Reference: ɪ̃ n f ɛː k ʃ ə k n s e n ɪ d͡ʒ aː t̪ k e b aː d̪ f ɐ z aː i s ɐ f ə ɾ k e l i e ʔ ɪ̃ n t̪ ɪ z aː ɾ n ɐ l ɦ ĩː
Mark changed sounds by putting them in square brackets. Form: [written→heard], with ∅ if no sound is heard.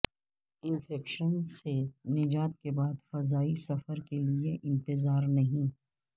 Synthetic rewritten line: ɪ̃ n f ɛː k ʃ ə [k→∅] n s e n ɪ d͡ʒ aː t̪ k e b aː d̪ f ɐ z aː i s ɐ f ə ɾ k e l i e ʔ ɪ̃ n t̪ ɪ z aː ɾ n ɐ [l→∅] ɦ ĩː